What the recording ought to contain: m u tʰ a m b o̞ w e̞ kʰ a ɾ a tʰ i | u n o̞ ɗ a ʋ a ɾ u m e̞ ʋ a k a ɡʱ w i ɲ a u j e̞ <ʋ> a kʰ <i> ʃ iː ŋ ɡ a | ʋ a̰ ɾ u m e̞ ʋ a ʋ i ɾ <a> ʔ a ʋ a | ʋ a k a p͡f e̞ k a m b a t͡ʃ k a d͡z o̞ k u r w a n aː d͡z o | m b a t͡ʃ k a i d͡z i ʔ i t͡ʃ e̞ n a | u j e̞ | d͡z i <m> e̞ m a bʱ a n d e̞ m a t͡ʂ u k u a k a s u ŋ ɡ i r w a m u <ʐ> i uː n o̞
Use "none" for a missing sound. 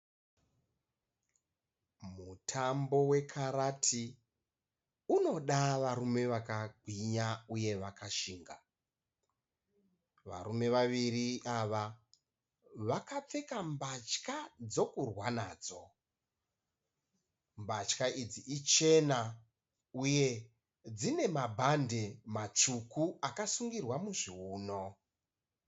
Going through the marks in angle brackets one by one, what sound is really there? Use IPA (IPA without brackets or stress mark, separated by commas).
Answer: ʋ, a, i, n, ʐ